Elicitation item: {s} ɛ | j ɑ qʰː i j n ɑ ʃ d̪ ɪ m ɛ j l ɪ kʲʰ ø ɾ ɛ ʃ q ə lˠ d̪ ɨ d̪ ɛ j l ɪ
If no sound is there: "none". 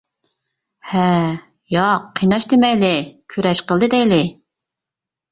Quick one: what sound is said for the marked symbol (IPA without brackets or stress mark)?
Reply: h